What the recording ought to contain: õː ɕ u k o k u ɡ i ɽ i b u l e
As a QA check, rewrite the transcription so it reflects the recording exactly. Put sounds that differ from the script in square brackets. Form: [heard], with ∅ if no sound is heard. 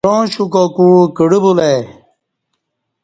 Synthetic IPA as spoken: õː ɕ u k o k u [k] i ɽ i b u l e